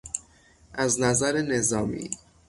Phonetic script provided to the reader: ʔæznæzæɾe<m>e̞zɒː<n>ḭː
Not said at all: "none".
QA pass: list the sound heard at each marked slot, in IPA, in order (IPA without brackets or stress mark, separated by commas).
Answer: n, m